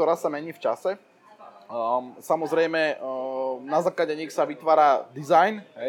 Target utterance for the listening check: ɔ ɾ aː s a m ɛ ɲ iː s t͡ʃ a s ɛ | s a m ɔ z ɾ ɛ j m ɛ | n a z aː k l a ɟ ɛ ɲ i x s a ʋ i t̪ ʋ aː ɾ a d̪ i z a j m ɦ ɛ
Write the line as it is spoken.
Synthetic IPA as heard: ɔ ɾ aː s a m ɛ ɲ iː f t͡ʃ a s ɛ | s a m ɔ z ɾ ɛ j m ɛ | n a z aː k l a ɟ ɛ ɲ i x s a ʋ i t̪ ʋ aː ɾ a d̪ i z a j n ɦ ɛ